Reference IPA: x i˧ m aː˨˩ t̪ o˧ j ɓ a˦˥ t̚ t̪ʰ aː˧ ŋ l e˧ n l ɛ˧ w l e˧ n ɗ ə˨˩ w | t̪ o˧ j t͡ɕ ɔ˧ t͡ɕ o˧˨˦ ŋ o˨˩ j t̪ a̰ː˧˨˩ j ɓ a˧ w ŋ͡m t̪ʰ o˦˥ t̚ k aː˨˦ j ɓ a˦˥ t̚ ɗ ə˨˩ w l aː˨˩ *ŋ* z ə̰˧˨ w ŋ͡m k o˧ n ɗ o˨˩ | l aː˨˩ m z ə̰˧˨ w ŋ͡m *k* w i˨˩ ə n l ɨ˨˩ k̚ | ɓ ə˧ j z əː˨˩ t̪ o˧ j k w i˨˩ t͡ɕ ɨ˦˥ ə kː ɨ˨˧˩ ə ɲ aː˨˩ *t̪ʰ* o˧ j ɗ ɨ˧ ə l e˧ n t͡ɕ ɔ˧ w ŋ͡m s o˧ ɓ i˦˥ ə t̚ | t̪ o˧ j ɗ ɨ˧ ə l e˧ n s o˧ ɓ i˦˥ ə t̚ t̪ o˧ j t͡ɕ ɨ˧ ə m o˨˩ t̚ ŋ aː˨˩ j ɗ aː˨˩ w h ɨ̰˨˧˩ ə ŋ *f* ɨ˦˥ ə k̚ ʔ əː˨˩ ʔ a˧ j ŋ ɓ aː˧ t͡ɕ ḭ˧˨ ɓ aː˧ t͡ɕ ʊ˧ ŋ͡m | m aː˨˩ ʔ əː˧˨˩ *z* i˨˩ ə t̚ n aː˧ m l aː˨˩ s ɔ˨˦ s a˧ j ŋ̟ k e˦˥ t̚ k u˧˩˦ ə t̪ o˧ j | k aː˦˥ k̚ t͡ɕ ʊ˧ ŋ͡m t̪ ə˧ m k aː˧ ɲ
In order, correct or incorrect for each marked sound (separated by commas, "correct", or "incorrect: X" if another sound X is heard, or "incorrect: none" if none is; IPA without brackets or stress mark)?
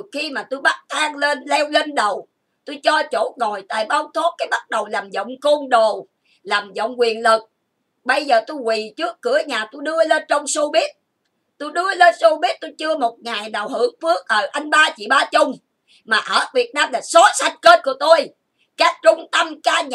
incorrect: m, correct, incorrect: t̪, correct, incorrect: v